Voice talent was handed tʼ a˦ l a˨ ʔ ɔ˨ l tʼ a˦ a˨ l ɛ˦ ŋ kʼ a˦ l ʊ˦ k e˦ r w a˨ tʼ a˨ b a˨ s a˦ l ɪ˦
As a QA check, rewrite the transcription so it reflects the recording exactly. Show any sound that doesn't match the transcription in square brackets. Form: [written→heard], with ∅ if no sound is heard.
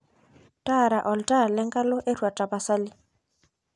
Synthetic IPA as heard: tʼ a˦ [l→ɾ] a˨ ʔ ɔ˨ l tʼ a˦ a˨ l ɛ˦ ŋ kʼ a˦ l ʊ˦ [k→ʔ] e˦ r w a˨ tʼ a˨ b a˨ s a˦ l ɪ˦